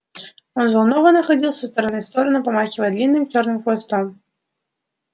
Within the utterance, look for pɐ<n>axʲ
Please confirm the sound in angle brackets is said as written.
no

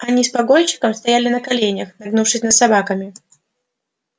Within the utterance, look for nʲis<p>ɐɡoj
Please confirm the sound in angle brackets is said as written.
yes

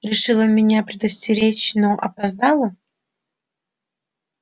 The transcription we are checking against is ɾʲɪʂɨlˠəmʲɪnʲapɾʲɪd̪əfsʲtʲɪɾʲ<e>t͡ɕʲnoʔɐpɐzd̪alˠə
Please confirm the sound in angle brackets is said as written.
yes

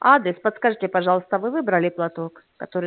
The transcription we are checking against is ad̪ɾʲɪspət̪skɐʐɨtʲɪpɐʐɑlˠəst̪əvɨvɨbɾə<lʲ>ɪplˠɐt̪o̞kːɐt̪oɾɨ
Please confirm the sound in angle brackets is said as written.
yes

